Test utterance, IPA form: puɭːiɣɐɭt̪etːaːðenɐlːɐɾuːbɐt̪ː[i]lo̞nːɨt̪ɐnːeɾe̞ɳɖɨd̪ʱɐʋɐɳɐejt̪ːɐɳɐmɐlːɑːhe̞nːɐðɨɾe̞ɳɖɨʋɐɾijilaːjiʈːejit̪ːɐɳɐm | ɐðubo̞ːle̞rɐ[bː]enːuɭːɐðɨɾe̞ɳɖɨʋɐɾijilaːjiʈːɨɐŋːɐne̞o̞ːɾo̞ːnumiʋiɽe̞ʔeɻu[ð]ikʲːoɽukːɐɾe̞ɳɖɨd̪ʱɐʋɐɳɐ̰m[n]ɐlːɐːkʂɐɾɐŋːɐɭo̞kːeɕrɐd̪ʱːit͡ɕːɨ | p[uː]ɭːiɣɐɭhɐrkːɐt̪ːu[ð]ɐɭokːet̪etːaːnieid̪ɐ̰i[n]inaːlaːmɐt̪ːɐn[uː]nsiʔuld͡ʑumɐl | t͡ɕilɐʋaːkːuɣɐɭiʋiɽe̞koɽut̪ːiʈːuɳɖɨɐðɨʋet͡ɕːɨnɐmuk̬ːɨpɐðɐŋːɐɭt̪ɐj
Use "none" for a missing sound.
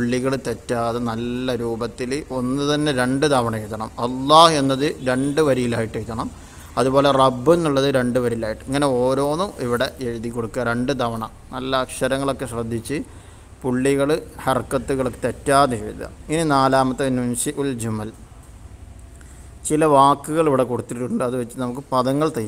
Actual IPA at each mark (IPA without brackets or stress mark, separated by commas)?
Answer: i, bː, ð, n, u, ɣ, n, u